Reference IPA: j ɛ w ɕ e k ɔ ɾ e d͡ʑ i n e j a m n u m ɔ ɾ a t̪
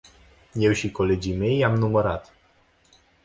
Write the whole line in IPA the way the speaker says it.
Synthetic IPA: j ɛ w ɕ i k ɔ l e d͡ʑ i m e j a m n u m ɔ ɾ a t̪